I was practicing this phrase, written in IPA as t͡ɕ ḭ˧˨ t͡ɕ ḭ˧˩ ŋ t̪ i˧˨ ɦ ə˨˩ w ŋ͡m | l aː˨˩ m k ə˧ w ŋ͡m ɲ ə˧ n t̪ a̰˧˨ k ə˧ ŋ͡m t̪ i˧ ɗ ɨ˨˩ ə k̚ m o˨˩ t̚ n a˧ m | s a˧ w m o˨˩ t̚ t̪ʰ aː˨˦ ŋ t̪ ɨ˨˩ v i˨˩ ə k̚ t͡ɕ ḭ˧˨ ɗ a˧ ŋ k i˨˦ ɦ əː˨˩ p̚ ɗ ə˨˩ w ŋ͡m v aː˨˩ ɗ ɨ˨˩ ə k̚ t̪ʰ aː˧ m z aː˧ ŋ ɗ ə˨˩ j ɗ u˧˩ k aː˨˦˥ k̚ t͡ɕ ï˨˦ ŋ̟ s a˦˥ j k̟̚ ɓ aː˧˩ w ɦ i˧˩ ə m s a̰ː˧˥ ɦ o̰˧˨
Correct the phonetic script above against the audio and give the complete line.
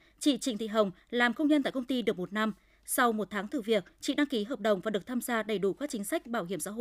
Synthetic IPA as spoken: t͡ɕ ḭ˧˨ t͡ɕ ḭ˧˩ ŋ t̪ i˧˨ ɦ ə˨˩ w ŋ͡m | l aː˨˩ m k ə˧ w ŋ͡m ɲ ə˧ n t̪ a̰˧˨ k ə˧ ŋ͡m t̪ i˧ ɗ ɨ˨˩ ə k̚ m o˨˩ t̚ n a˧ m | s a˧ w m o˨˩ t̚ t̪ʰ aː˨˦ ŋ t̪ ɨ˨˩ v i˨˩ ə k̚ t͡ɕ ḭ˧˨ ɗ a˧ ŋ k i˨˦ ɦ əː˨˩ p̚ ɗ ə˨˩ w ŋ͡m v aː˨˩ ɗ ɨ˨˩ ə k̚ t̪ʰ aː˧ m z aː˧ ɗ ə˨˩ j ɗ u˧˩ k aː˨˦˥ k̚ t͡ɕ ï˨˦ ŋ̟ s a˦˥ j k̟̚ ɓ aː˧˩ w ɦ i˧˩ ə m s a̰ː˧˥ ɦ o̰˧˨